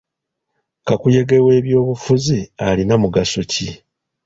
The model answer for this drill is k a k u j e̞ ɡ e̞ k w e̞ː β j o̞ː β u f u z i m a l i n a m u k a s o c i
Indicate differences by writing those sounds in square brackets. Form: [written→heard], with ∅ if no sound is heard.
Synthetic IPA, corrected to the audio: k a k u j e̞ ɡ e̞ [k→∅] w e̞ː β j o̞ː β u f u z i [m→∅] a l i n a m u [k→ɡ] a s o c i